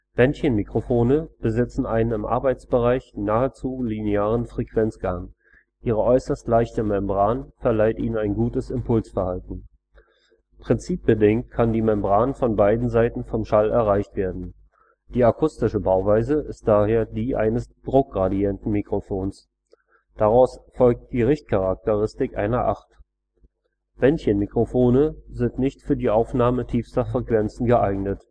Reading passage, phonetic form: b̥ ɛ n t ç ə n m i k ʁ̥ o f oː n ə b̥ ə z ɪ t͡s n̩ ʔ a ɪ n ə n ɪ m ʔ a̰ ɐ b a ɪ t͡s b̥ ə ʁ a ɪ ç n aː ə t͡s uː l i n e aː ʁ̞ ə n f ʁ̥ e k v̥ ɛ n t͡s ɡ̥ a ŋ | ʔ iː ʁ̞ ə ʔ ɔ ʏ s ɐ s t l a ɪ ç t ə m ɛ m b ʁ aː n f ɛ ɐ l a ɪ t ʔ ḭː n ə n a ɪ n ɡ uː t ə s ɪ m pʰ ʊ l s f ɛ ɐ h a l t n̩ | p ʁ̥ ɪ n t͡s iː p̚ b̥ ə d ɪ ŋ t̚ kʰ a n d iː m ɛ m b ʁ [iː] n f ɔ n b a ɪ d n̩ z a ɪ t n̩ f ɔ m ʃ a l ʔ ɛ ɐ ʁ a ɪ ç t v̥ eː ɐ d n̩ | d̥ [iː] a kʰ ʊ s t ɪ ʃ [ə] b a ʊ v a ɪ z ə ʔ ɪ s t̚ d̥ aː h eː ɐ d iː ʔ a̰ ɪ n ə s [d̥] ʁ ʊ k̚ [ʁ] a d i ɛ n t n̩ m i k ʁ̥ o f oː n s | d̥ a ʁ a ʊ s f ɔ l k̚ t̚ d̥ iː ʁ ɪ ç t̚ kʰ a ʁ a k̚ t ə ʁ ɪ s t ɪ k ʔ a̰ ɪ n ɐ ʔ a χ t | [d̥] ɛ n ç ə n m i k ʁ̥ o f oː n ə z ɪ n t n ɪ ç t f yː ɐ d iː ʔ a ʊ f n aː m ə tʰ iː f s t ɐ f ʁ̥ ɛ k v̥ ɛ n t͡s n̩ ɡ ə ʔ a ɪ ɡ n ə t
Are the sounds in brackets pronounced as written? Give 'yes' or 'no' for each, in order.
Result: no, yes, yes, yes, yes, no

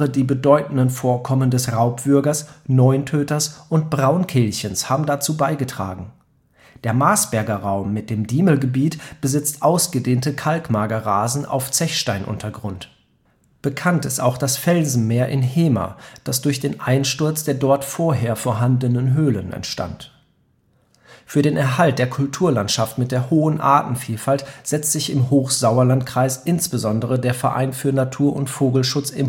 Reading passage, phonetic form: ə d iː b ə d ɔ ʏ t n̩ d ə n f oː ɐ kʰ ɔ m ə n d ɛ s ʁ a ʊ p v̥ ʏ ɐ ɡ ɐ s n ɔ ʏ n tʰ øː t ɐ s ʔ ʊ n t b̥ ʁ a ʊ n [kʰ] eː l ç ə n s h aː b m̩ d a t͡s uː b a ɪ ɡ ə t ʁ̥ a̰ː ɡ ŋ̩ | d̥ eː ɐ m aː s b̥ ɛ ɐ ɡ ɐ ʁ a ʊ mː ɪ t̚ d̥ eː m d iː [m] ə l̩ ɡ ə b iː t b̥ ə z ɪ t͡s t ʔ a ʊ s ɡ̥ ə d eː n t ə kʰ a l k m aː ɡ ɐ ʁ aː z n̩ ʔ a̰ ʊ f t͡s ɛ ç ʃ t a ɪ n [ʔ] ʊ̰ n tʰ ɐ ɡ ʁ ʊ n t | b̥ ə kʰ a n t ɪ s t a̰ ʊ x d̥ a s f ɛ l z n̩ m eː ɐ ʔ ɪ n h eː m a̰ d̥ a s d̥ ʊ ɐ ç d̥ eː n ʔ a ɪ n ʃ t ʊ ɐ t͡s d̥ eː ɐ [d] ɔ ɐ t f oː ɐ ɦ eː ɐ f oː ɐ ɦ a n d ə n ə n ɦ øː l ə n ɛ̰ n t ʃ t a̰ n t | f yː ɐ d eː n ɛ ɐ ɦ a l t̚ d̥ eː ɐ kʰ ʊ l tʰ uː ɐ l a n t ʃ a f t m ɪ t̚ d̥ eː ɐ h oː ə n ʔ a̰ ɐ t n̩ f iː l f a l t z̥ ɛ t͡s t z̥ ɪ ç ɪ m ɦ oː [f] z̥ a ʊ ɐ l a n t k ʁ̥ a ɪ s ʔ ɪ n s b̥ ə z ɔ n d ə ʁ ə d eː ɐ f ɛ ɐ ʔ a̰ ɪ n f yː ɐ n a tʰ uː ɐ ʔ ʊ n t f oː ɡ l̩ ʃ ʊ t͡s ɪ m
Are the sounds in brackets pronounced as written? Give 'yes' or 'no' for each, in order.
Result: yes, yes, yes, yes, no

